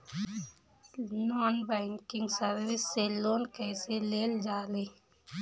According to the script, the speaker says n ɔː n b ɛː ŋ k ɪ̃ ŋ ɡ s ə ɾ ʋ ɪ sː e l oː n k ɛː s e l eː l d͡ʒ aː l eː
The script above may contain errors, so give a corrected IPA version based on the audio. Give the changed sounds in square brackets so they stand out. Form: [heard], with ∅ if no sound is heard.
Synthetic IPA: n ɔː n b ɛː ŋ k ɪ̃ ŋ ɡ s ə ɾ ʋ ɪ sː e l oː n k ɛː s e l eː l d͡ʒ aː l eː

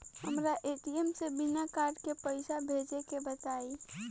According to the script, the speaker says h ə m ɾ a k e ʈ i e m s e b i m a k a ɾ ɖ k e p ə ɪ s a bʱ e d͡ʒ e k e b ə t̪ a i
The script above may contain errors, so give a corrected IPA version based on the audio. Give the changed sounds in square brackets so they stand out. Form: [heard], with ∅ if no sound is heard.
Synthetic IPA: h ə m ɾ a [ʔ] e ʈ i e m s e b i [n] a k a ɾ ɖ k e p ə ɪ s a bʱ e d͡ʒ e k e b ə t̪ a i

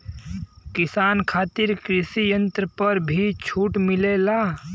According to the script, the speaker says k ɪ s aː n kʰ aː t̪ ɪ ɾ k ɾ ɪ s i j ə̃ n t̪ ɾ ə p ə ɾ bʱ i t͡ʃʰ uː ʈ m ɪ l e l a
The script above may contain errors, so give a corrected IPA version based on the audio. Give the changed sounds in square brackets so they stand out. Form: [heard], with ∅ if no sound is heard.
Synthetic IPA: k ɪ s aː n kʰ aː t̪ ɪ ɾ k ɾ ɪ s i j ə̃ n t̪ ɾ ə p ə ɾ bʱ i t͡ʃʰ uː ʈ m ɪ l e l a

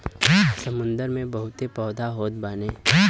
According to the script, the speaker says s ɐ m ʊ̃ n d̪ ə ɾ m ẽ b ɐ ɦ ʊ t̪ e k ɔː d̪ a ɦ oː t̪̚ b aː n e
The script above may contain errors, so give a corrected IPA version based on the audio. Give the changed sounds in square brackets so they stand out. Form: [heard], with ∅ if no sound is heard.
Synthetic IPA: s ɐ m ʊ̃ n d̪ ə ɾ m ẽ b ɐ ɦ ʊ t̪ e [p] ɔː d̪ a ɦ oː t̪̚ b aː n e

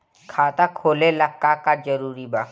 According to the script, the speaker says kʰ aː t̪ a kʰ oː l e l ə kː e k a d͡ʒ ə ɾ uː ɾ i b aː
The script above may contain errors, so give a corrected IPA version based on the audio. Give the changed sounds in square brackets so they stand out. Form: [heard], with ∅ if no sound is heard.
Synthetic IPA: kʰ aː t̪ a kʰ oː l e l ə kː [a] k a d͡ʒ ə ɾ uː ɾ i b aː

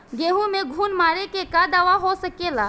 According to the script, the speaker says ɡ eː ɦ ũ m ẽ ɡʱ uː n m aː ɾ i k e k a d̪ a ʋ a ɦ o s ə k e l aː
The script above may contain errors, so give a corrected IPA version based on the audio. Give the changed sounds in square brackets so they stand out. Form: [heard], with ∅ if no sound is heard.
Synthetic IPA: ɡ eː ɦ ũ m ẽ ɡʱ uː n m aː ɾ [e] k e k a d̪ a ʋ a ɦ o s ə k e l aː

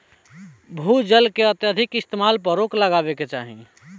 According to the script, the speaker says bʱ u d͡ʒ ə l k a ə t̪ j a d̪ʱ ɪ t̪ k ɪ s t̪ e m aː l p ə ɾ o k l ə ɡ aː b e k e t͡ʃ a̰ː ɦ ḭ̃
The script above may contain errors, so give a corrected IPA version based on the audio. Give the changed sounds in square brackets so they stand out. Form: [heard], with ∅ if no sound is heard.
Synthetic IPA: bʱ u d͡ʒ ə l k [e] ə t̪ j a d̪ʱ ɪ [∅] k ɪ s t̪ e m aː l p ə ɾ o k l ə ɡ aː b e k e t͡ʃ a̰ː ɦ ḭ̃

